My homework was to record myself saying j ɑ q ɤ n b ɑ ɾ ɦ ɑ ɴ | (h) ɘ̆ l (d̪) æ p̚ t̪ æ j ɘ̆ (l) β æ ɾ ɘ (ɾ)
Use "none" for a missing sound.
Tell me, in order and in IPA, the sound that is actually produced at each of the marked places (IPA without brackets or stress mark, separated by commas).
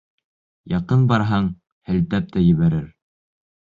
h, t̪, none, ɾ